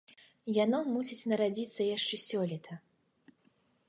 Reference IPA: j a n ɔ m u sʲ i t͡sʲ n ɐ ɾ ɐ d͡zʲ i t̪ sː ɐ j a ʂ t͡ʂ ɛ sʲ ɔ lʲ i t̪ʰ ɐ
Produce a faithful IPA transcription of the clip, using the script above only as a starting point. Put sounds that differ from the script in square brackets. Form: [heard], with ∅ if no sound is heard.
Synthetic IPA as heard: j a n ɔ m u sʲ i t͡sʲ n ɐ ɾ [a] d͡zʲ i t̪ sː ɐ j a ʂ t͡ʂ ɛ sʲ ɔ lʲ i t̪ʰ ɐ